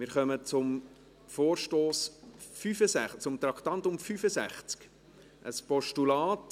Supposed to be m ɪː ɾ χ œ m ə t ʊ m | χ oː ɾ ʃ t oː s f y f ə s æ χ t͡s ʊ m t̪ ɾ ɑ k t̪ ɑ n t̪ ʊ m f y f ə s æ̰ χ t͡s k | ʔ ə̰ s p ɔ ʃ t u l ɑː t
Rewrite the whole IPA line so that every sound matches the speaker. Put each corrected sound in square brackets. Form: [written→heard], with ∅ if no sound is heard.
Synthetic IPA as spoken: m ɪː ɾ χ œ m ə [t→t͡s] ʊ m | [χ→f] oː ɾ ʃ t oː s f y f ə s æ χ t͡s ʊ m t̪ ɾ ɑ k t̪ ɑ n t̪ ʊ m f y f ə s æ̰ χ t͡s k | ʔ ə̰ s p ɔ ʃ t u l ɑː t